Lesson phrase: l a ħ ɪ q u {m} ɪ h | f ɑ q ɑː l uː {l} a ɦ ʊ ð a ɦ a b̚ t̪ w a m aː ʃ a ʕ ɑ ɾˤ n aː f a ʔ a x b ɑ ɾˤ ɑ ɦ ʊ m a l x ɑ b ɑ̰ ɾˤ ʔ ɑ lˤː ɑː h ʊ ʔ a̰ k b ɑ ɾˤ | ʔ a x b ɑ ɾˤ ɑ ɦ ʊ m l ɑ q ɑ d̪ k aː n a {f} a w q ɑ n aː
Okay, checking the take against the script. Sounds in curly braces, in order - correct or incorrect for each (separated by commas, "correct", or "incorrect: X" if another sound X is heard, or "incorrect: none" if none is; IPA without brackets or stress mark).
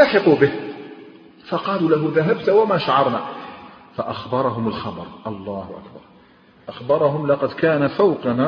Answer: incorrect: b, correct, correct